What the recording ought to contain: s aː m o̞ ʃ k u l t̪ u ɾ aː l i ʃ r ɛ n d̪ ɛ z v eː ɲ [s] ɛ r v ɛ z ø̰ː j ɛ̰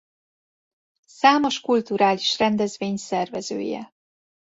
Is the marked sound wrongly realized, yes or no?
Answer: no